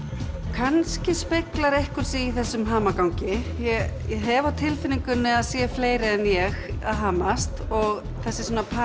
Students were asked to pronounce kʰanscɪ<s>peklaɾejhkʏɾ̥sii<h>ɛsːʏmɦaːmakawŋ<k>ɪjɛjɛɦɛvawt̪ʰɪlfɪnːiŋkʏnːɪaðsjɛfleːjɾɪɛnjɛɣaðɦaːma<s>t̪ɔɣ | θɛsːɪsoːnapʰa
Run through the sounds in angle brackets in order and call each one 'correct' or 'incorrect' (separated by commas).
correct, incorrect, incorrect, correct